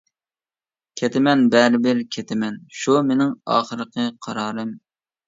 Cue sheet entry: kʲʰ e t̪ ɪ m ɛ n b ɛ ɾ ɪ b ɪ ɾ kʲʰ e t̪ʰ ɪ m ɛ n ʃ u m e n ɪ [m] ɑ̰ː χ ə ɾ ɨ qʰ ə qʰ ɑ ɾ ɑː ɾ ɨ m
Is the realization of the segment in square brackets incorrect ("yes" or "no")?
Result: yes